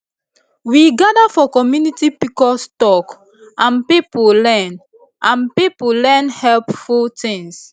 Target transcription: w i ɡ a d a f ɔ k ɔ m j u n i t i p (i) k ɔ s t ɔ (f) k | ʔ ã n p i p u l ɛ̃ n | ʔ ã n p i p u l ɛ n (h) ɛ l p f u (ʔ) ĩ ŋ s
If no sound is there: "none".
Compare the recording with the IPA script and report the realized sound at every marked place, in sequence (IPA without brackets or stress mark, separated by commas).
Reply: i, none, h, t